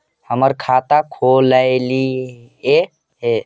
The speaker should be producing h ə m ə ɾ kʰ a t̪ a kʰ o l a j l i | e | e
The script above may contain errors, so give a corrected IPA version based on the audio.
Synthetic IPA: h ə m ə ɾ kʰ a t̪ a kʰ o l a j l i | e | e

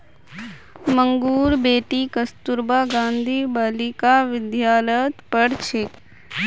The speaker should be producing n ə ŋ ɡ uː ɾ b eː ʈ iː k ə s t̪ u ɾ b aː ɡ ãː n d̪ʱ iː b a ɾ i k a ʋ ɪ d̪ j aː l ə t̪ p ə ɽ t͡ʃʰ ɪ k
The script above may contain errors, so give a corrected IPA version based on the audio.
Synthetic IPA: m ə ŋ ɡ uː ɾ b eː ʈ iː k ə s t̪ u ɾ b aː ɡ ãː n d̪ʱ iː b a l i k a ʋ ɪ d̪ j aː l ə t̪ p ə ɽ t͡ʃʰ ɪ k

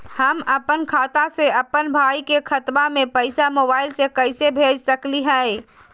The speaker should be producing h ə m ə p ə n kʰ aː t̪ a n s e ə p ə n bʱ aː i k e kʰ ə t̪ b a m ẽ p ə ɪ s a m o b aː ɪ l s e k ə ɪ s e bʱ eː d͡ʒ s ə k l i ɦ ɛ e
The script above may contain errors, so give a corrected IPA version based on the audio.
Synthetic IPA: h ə m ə p ə n kʰ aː t̪ a s e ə p ə n bʱ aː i k e kʰ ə t̪ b a m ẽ p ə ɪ s a m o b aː ɪ l s e k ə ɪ s e bʱ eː d͡ʒ s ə k l i ɦ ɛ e

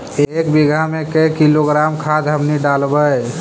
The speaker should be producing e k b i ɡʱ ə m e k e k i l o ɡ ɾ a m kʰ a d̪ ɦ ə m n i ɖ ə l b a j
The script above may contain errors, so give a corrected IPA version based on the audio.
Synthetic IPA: e k b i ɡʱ a m e k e k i l o ɡ ɾ a m kʰ a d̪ ɦ ə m n i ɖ a l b ə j

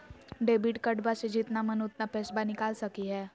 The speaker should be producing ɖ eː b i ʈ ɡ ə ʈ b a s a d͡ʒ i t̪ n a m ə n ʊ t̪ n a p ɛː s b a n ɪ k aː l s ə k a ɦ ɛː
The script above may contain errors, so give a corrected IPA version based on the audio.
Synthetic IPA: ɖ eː b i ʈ k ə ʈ b a s e d͡ʒ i t̪ n a m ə n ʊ t̪ n a p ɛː s b a n ɪ k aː l s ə k i ɦ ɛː

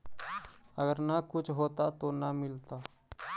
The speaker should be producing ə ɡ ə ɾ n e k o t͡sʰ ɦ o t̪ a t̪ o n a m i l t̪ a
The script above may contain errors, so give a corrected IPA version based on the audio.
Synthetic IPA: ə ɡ ə ɾ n a k u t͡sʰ ɦ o t̪ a t̪ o n a m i l t̪ a

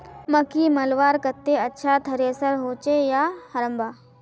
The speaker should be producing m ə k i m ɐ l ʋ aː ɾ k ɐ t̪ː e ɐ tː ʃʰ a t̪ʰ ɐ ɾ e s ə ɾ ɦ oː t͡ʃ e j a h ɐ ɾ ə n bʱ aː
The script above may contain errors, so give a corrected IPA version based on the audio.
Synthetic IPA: m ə k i m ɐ l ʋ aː ɾ k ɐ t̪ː e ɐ tː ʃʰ a t̪ʰ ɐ ɾ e s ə ɾ ɦ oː t͡ʃ e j a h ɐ ɾ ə m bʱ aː

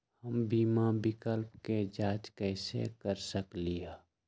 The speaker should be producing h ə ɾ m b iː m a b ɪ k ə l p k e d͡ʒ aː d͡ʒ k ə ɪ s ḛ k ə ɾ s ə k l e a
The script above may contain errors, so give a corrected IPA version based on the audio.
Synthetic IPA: h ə m b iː m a b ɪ k ə l p k e d͡ʒ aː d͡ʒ k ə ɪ s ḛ k ə ɾ s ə k l i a

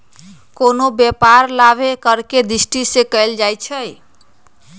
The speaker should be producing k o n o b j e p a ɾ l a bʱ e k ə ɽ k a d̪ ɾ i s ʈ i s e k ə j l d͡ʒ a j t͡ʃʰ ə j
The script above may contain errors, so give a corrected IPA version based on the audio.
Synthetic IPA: k o n o b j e p a ɾ l a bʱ e k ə ɾ k e d̪ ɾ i s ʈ i s e k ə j l d͡ʒ a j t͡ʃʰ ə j

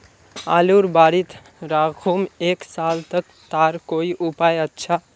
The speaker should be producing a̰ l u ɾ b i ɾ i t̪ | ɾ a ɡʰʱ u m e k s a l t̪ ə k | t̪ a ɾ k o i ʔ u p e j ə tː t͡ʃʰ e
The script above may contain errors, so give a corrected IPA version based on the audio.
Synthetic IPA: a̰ l u ɾ b a ɾ i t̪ | ɾ a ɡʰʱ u m e k s a l t̪ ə k | t̪ a ɾ k o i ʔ u p a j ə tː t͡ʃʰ a

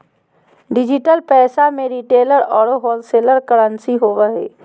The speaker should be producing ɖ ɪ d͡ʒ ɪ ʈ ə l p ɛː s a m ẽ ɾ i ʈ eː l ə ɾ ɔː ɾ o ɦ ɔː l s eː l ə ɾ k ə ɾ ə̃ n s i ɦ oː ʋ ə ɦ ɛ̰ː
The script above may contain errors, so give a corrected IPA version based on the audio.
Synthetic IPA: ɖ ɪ d͡ʒ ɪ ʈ ə l p ɛː s a m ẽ ɾ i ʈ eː l ə ɾ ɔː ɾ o ɦ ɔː l s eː l ə ɾ k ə ɾ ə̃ n s i ɦ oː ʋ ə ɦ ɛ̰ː

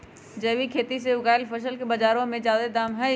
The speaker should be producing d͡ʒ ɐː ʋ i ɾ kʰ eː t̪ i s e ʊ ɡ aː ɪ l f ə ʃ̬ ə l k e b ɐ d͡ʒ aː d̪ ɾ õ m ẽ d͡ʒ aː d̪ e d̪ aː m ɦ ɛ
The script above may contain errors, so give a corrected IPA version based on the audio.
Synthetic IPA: d͡ʒ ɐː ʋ i kʰ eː t̪ i s e ʊ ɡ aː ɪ l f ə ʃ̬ ə l k e b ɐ d͡ʒ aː ɾ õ m ẽ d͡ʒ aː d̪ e d̪ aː m ɦ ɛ

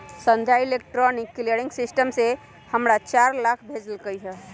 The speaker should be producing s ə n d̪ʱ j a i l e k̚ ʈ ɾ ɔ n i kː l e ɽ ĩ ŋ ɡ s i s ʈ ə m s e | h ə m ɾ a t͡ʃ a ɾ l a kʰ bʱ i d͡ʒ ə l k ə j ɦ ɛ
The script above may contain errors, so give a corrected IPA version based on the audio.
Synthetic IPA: s ə n d̪ʱ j a i l e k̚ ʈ ɾ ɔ n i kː l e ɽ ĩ ŋ ɡ s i s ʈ ə m s e | h ə m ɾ a t͡ʃ a ɾ l a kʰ bʱ e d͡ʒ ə l k ə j ɦ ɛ

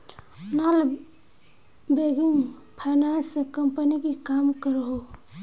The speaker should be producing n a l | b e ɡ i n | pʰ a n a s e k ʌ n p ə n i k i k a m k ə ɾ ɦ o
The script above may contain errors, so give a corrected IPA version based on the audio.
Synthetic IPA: n a l | b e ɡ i ŋ | pʰ a n a s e k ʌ m p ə n i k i k a m k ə ɾ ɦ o

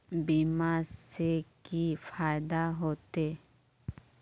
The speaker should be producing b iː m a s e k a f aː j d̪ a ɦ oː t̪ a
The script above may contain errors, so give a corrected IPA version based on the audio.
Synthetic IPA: b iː m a s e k i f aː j d̪ a ɦ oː t̪ e

